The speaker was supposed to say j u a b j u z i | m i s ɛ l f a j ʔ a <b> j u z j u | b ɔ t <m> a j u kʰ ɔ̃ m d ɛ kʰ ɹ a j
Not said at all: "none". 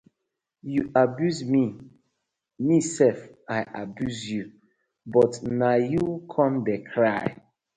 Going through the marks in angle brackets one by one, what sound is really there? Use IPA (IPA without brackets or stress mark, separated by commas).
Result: b, n